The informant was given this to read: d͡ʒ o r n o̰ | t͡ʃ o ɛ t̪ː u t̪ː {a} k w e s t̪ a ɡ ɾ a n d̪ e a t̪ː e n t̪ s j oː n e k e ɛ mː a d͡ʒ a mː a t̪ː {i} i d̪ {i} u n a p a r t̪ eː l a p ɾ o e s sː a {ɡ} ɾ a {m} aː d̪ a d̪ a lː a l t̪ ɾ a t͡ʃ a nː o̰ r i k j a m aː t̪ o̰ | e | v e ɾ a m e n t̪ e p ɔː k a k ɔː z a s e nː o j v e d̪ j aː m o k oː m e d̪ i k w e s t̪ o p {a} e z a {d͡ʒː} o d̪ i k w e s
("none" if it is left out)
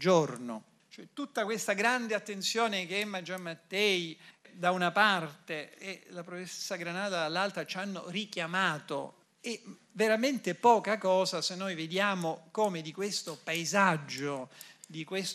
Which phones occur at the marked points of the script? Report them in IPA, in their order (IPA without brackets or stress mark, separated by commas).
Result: a, ɛ, a, ɡ, n, a, d͡ʒː